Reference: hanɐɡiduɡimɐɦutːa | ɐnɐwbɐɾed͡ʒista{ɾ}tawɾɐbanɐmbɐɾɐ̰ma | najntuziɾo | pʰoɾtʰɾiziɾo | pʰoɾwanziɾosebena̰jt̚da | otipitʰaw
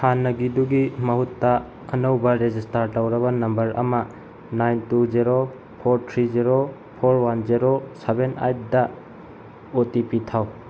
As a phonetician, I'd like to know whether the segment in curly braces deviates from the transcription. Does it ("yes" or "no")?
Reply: no